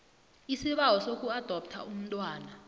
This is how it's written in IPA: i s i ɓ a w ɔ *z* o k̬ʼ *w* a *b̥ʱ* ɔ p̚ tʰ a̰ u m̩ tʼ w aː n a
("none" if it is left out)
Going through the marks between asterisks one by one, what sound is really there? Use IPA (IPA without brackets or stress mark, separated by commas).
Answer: s, u, d̥ʱ